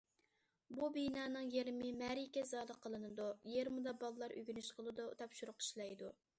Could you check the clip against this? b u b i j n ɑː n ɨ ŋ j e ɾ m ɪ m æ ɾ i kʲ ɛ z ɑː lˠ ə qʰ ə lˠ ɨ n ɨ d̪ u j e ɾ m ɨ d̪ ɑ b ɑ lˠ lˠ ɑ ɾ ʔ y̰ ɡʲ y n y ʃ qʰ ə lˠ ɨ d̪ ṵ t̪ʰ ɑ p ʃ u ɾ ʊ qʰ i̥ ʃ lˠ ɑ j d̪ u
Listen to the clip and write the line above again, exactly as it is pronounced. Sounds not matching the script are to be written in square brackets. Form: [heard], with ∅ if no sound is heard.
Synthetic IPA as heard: b u b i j n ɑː n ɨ ŋ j e ɾ m ɪ m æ ɾ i kʲ ɛ z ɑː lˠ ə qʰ ə lˠ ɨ n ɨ d̪ u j e ɾ m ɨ d̪ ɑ b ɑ lˠ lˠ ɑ ɾ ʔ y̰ ɡʲ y n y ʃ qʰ ə lˠ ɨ d̪ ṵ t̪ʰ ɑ p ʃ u ɾ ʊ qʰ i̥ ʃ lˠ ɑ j d̪ u

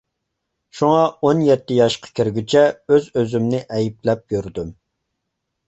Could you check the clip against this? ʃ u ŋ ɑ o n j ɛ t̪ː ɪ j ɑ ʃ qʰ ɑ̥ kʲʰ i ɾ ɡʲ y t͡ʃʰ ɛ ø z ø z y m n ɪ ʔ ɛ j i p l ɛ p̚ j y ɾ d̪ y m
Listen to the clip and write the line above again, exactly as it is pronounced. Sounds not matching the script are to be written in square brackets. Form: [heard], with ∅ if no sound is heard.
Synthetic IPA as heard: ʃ u ŋ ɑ o n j ɛ t̪ː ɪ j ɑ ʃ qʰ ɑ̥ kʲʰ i ɾ ɡʲ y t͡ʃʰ ɛ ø z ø z y m n ɪ ʔ ɛ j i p l ɛ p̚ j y ɾ d̪ y m

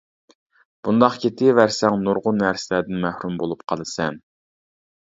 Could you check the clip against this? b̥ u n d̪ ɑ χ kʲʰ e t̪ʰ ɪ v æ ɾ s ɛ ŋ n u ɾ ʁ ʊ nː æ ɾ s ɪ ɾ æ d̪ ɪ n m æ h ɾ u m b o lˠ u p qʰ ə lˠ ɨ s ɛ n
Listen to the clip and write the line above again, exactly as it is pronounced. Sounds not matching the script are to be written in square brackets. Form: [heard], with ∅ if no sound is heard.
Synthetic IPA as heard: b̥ u n d̪ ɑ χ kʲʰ e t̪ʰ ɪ v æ ɾ s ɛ ŋ n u ɾ ʁ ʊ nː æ ɾ s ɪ [l] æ d̪ ɪ n m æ h ɾ u m b o lˠ u p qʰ [ɑ] lˠ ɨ s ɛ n

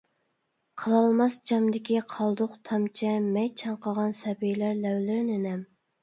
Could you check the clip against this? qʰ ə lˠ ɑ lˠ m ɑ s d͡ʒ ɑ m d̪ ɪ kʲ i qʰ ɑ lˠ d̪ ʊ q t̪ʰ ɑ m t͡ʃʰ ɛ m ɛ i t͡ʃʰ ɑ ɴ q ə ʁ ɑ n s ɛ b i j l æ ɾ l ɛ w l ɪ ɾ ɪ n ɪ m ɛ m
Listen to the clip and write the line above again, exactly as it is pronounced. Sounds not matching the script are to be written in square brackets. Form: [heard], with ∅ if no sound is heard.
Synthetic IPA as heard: qʰ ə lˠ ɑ lˠ m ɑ s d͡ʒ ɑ m d̪ ɪ kʲ i qʰ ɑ lˠ d̪ ʊ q t̪ʰ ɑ m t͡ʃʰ ɛ m ɛ [j] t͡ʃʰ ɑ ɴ q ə ʁ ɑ n s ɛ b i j l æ ɾ l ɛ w l ɪ ɾ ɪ n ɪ [n] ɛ m

